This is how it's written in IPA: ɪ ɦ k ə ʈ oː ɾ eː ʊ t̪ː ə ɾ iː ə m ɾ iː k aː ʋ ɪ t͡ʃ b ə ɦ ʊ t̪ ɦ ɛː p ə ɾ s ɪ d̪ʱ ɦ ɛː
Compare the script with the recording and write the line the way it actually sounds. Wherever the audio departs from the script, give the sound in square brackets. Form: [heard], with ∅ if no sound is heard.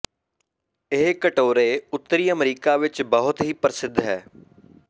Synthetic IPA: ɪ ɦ k ə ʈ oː ɾ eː ʊ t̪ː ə ɾ iː ə m ɾ iː k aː ʋ ɪ t͡ʃ b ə ɦ ʊ t̪ ɦ [iː] p ə ɾ s ɪ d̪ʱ ɦ ɛː